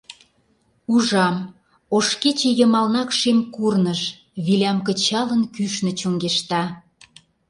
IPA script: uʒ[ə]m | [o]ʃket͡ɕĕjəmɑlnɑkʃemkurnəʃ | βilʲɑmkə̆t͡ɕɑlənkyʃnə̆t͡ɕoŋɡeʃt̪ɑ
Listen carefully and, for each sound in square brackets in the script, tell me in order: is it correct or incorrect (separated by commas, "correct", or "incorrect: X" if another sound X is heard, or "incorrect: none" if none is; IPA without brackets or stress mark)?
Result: incorrect: ɑ, correct